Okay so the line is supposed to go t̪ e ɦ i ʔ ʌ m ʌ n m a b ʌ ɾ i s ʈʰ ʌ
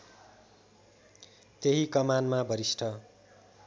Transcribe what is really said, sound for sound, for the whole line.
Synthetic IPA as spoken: t̪ e ɦ i k ʌ m a n m a b ʌ ɾ i s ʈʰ ʌ